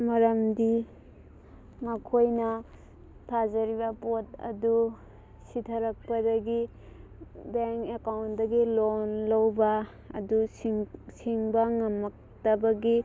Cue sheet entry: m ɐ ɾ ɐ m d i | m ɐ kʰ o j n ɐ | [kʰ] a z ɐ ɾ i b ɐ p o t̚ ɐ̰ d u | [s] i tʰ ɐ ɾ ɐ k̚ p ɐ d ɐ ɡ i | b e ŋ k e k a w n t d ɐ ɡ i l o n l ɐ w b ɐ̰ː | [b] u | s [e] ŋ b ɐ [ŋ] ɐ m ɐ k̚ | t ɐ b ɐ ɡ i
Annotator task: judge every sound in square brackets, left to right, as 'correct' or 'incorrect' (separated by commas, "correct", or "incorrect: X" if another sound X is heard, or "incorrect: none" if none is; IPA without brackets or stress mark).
incorrect: tʰ, correct, incorrect: d, incorrect: i, correct